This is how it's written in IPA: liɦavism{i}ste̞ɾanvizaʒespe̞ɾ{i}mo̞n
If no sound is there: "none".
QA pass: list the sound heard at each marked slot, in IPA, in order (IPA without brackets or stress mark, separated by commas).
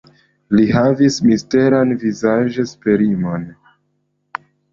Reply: i, i